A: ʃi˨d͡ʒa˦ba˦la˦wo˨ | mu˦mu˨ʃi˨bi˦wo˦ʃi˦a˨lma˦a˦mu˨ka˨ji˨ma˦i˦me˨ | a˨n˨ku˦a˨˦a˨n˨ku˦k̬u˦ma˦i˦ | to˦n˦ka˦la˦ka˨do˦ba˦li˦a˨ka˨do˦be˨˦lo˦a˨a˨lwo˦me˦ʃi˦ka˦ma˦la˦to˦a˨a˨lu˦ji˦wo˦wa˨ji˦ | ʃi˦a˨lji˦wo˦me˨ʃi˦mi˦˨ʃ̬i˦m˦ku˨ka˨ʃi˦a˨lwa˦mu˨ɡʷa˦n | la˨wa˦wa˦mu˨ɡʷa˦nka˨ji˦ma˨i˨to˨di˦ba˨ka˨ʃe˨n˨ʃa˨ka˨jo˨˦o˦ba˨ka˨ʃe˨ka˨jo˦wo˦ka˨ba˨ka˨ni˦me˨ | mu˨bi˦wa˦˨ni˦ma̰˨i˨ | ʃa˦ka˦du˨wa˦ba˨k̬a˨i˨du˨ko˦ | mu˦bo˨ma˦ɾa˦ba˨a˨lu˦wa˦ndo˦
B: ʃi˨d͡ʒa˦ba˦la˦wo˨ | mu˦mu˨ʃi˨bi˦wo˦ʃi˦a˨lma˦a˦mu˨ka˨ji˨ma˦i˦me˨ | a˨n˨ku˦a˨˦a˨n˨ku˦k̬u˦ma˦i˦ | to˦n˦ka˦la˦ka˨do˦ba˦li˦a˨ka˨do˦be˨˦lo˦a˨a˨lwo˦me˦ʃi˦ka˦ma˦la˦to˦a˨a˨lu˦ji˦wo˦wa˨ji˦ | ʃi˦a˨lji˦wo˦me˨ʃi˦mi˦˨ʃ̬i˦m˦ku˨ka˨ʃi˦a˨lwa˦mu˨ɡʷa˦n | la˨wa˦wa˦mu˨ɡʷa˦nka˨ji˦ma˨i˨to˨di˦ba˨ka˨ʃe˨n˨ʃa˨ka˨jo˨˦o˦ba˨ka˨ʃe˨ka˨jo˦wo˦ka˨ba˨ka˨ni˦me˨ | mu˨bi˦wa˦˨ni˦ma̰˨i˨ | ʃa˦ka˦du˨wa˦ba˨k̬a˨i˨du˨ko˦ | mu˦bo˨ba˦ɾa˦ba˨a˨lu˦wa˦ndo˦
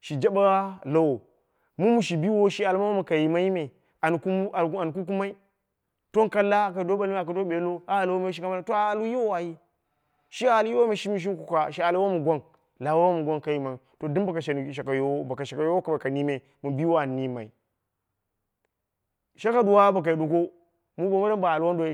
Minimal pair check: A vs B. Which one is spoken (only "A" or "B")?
A